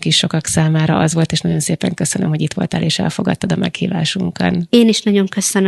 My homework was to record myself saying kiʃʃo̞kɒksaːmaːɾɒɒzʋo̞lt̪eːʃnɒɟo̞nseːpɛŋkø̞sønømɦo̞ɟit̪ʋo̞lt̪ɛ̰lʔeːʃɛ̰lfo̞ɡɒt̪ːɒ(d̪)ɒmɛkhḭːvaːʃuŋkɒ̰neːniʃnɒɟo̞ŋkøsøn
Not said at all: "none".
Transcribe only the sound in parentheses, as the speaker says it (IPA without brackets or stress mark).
d̪